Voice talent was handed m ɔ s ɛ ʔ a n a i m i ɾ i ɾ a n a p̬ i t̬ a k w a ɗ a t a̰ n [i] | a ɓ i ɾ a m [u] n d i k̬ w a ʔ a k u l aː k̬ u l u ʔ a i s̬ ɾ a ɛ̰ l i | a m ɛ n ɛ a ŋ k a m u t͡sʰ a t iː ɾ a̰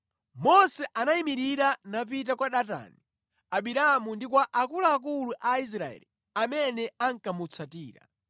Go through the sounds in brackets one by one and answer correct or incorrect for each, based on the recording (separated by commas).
correct, correct